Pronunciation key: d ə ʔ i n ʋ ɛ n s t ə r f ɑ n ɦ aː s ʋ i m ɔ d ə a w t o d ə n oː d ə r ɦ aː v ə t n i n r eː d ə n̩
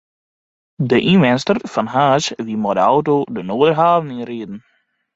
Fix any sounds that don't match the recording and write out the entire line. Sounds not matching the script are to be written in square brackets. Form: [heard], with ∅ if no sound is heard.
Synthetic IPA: d ə ʔ i n ʋ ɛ n s t ə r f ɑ n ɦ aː s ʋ i m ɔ d ə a w t o d ə n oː d ə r ɦ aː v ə [∅] n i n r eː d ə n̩

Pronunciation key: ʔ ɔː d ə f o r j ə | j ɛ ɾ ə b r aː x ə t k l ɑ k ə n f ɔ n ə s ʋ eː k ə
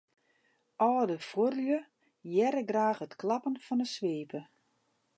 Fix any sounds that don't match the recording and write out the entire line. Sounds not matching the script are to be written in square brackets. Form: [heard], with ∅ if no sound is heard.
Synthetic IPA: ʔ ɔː d ə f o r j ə | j ɛ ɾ ə [ɡ] r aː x ə t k l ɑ [p] ə n f ɔ n ə s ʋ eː [p] ə

